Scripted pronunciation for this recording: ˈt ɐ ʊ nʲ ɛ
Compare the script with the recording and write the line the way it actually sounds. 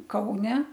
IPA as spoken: ˈk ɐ ʊ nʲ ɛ